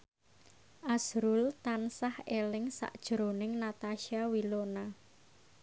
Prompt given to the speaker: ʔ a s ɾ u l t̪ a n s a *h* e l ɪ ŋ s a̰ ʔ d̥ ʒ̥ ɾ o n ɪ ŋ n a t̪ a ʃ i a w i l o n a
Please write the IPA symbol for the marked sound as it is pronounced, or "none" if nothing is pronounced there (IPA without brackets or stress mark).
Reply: h